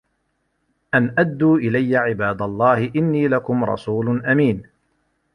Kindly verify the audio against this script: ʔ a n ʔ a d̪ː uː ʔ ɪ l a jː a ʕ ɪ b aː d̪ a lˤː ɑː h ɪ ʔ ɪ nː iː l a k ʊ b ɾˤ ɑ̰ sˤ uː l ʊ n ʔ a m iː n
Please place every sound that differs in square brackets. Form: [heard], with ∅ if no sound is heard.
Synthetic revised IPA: ʔ a n ʔ a d̪ː uː ʔ ɪ l a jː a ʕ ɪ b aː d̪ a lˤː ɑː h ɪ ʔ ɪ nː iː l a k ʊ [m] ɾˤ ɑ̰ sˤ uː l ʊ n ʔ a m iː n